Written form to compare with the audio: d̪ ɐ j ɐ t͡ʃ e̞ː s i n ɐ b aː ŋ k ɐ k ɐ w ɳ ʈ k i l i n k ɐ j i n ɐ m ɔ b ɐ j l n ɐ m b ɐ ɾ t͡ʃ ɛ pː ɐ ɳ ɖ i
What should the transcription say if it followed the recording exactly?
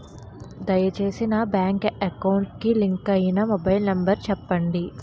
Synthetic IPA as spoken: d̪ ɐ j ɐ t͡ʃ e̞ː s i n ɐ b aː ŋ k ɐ k ɐ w ɳ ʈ k i l i ŋ k ɐ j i n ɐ m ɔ b ɐ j l n ɐ m b ɐ ɾ t͡ʃ ɛ pː ɐ ɳ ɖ i